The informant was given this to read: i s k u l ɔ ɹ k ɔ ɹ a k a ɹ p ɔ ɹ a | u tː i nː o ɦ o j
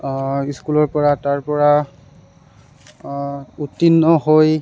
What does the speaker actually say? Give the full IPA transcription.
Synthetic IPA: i s k u l ɔ ɹ p ɔ ɹ a t a ɹ p ɔ ɹ a | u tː i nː ɔ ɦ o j